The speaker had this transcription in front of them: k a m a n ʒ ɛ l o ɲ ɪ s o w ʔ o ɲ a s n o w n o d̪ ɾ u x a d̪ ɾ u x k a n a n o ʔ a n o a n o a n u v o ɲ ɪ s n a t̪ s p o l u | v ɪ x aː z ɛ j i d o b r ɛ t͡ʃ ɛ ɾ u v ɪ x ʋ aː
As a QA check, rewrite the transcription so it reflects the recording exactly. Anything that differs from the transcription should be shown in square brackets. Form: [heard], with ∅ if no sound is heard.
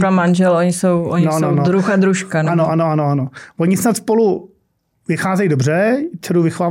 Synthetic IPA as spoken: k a m a n ʒ ɛ l o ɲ ɪ s o w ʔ o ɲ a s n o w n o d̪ ɾ u x a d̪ ɾ u [ʃ] k a n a n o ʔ a n o a n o a n [o] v o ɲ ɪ s n a t̪ s p o l u | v ɪ x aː z ɛ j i d o b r ɛ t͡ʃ ɛ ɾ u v ɪ x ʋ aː